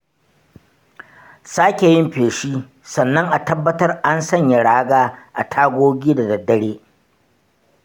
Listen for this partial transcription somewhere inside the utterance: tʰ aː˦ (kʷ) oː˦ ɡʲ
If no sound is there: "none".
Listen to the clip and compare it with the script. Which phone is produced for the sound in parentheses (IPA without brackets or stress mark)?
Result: ɡʷ